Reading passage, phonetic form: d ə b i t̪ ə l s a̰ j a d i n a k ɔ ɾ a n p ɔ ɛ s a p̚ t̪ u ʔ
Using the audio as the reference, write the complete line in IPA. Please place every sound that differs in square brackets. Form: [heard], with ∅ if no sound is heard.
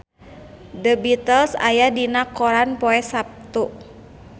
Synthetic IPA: d ə b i t̪ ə l s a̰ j a d i n a k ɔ ɾ a n p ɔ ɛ s a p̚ t̪ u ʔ